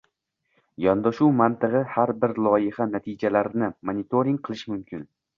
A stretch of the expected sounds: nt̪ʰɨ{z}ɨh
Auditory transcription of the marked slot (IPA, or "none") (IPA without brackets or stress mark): ʁ